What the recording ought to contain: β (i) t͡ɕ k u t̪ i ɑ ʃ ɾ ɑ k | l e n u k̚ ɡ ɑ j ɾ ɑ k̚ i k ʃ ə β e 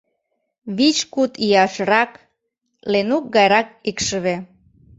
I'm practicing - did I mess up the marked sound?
no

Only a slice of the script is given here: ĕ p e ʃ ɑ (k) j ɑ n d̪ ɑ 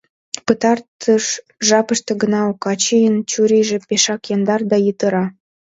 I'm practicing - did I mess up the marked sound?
no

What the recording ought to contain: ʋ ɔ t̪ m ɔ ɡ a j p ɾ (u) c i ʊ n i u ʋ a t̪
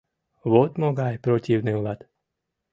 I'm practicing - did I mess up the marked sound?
yes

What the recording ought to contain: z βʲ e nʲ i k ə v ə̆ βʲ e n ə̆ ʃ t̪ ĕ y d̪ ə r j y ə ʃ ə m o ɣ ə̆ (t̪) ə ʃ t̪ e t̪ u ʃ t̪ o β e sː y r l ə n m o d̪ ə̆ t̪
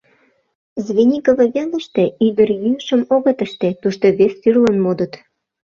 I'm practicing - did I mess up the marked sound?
no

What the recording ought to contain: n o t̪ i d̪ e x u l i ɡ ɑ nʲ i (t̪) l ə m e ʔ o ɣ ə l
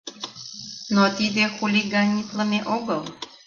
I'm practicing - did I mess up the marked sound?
no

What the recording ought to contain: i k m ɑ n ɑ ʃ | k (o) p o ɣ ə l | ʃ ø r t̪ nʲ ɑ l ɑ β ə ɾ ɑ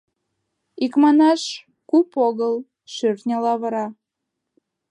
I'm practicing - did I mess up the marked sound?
yes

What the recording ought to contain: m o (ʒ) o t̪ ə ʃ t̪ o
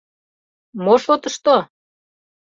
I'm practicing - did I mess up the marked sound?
yes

